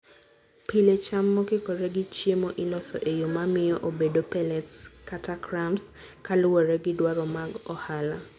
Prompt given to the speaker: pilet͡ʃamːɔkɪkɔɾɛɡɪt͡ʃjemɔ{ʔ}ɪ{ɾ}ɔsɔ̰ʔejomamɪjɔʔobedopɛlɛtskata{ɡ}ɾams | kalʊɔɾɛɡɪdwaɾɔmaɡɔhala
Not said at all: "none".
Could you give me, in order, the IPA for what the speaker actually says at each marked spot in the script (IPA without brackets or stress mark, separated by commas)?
ʔ, l, k